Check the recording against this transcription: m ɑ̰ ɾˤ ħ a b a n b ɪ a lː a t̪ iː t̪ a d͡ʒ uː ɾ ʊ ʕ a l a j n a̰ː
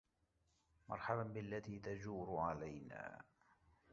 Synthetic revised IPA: m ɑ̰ ɾˤ ħ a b a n b ɪ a lː a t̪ iː t̪ a d͡ʒ uː ɾ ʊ ʕ a l a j n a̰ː